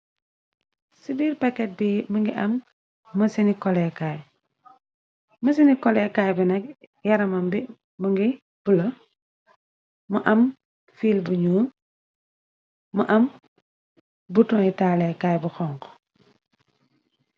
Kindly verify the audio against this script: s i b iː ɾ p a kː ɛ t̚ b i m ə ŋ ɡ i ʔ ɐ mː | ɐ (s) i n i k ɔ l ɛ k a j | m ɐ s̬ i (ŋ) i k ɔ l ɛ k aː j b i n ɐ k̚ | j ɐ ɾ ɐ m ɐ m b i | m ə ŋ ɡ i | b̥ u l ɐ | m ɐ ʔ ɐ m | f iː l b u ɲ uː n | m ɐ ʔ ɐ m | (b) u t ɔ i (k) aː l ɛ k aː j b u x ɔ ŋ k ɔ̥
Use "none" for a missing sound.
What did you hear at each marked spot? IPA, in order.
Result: s, n, b, t

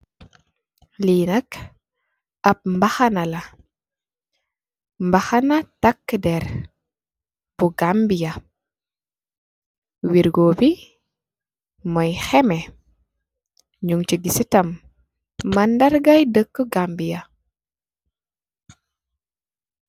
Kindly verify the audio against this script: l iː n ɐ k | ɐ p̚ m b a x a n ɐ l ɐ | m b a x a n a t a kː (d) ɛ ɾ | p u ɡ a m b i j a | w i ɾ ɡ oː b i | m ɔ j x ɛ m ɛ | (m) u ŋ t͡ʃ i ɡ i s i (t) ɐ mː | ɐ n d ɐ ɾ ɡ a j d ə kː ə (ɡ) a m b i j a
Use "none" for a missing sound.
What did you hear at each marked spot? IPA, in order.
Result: d, ɲ, t, ɡ

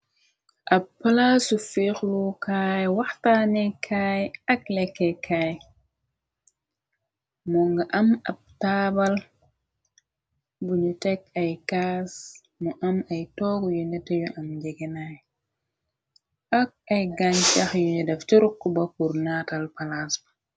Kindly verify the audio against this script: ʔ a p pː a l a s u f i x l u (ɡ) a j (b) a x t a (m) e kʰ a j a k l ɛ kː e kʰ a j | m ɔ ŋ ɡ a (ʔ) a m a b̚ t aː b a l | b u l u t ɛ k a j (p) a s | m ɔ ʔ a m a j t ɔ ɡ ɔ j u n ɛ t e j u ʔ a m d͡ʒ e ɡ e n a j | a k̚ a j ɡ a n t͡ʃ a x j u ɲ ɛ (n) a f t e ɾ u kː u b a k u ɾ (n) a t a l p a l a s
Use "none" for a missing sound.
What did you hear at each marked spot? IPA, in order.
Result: k, w, n, ʔ, k, d, n

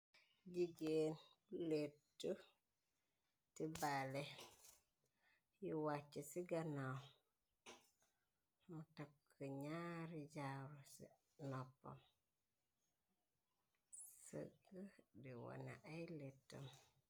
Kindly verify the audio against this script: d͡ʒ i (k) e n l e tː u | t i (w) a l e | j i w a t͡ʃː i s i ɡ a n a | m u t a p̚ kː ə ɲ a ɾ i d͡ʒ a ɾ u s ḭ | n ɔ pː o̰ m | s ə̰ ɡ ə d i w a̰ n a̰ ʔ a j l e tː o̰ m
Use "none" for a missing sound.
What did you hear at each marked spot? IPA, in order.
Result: ɡ, b

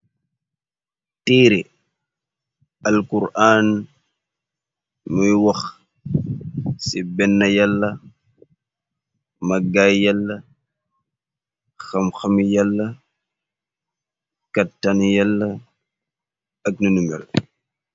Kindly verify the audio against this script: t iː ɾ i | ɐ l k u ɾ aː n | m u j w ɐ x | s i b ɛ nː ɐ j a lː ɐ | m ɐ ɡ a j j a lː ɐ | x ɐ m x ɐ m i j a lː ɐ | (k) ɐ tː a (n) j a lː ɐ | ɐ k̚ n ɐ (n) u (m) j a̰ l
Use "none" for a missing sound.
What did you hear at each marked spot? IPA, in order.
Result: k, n, n, m

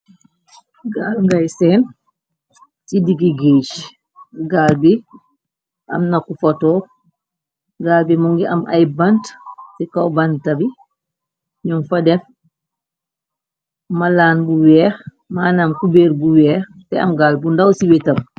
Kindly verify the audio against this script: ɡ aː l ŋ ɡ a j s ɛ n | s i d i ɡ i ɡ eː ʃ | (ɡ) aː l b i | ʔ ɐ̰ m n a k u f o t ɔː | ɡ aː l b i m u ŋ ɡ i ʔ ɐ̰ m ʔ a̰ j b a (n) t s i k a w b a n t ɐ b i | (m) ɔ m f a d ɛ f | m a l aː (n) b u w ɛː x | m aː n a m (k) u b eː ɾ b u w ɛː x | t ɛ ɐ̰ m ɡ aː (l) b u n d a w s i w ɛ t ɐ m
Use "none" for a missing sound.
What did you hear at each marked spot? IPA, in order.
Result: ɡ, n, ɲ, n, k, l

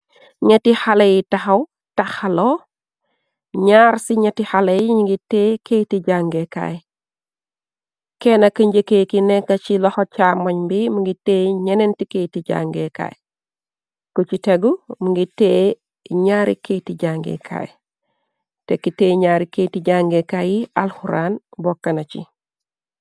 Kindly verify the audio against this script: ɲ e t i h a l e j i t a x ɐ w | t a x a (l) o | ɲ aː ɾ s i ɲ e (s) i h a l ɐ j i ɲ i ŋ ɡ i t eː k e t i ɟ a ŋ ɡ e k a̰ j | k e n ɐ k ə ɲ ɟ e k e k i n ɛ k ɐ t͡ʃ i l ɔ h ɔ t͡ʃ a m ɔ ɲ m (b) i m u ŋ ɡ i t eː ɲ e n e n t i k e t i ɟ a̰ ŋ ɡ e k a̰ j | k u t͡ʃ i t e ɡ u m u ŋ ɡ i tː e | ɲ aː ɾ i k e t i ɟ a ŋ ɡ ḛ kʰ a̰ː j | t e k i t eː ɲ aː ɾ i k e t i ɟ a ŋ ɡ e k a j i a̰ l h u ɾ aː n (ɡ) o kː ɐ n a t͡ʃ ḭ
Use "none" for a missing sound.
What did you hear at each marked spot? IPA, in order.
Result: l, t, b, b

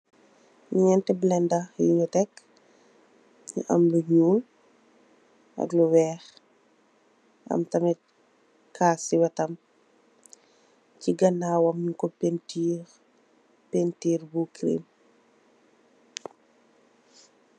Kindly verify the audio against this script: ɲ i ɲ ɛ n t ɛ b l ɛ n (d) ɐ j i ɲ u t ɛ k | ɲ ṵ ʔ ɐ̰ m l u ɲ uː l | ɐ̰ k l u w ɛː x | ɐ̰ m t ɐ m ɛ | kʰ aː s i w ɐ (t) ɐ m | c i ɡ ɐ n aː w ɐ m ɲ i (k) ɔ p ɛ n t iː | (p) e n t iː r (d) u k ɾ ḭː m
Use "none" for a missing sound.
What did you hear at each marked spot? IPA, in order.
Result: d, t, k, p, b

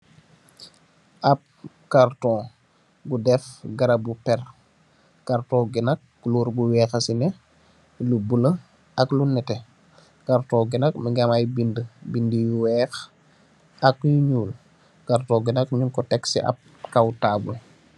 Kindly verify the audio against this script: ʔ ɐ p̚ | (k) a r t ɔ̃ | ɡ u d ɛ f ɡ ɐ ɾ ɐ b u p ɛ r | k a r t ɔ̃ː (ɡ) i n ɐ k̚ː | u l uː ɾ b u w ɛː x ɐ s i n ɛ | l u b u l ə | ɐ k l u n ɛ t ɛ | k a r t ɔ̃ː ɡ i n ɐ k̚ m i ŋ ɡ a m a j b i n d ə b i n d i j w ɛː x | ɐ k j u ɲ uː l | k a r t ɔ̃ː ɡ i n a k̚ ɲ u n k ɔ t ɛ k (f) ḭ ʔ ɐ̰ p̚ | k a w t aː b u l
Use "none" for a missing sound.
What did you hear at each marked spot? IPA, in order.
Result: k, ɡ, s

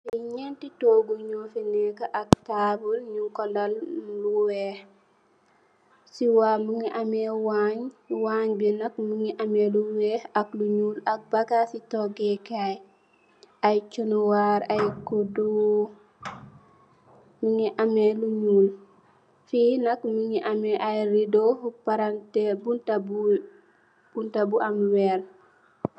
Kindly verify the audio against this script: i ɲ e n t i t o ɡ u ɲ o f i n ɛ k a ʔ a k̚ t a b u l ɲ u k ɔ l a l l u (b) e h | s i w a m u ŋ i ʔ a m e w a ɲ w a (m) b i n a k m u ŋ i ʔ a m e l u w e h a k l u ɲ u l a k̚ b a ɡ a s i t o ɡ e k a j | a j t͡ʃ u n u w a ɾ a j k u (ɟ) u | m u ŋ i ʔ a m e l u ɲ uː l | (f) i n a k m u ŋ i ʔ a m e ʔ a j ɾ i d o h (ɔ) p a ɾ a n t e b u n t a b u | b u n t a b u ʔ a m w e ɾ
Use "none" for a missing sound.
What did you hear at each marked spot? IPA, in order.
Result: w, ɲ, d, f, u

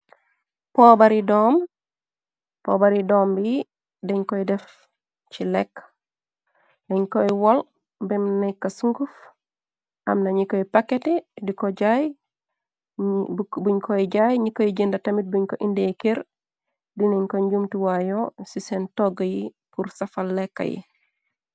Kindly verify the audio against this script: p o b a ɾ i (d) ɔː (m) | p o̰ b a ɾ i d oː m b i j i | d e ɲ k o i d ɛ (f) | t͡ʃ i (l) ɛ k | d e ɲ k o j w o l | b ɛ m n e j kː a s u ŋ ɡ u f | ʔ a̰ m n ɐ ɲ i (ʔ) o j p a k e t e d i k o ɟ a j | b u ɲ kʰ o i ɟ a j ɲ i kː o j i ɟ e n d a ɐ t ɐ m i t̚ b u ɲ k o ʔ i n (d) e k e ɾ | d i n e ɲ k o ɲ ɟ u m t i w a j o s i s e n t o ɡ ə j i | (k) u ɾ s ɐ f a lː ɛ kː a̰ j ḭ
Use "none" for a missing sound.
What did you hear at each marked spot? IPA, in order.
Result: d, m, f, l, k, d, p

